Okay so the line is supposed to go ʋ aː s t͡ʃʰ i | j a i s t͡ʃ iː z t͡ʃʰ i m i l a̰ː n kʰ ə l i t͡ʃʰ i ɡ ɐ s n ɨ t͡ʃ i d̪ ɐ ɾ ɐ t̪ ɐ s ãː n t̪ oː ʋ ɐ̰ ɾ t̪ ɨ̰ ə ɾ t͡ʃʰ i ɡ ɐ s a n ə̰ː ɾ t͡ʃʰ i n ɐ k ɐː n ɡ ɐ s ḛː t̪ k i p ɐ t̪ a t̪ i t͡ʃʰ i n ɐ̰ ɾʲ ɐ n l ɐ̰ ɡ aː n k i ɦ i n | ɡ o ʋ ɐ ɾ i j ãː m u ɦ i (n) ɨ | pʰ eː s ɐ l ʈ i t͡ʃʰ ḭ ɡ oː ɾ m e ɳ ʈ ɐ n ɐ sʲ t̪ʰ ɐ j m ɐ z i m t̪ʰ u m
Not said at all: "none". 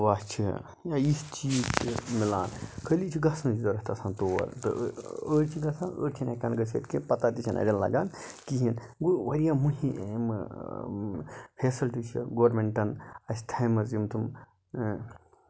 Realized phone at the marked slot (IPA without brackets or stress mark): m